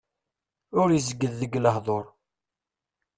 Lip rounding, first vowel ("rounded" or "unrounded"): rounded